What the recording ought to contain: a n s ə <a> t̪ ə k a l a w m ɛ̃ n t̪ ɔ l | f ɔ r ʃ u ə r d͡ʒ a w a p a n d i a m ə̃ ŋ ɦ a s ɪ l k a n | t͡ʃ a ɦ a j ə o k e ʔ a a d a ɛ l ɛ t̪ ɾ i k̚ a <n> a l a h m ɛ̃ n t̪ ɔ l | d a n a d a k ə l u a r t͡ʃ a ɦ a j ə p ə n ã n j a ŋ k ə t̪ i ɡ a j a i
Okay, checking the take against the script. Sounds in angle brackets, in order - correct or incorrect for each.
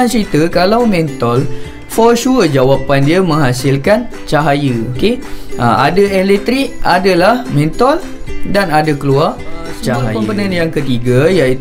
incorrect, incorrect

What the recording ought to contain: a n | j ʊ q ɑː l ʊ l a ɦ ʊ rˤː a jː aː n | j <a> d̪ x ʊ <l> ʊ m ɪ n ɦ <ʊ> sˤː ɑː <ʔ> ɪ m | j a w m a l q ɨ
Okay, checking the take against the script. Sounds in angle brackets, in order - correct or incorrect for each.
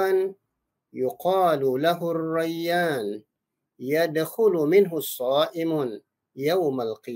correct, correct, correct, correct

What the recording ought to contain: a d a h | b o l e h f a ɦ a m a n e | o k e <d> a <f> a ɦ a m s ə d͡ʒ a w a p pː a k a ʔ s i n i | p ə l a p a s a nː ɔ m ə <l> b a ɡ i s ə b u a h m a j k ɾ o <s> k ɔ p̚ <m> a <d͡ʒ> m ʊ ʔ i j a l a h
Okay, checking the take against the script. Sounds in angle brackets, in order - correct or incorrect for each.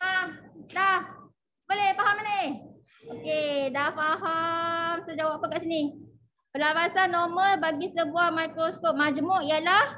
correct, correct, correct, correct, correct, correct

